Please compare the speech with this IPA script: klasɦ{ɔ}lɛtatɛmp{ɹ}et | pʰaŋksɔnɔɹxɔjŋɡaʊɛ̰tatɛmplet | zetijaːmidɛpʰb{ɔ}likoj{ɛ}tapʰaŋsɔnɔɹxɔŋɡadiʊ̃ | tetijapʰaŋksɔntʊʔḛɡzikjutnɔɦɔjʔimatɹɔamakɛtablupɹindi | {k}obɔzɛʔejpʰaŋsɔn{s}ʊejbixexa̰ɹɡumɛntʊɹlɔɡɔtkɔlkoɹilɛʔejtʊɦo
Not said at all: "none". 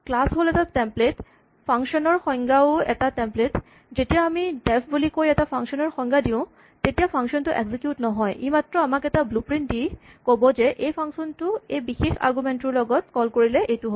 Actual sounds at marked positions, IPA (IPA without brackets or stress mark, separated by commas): o, l, u, ɛ, k, t